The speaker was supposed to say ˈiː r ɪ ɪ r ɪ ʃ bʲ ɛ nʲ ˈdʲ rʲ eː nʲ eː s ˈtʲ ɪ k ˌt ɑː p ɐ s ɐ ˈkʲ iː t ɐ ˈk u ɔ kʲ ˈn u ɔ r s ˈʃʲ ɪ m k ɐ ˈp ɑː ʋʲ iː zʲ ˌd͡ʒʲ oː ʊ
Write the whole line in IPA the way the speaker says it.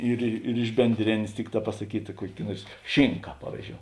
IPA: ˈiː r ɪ ɪ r ɪ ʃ bʲ ɛ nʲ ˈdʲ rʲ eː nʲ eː s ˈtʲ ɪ k ˌt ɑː p ɐ s ɐ ˈkʲ iː t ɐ ˈk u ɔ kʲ ˈn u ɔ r s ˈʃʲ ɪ ŋ k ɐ ˈp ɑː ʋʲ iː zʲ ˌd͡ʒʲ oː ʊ